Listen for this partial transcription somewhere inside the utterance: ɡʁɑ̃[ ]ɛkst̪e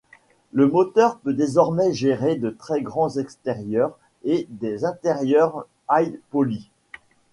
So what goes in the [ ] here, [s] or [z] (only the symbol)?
z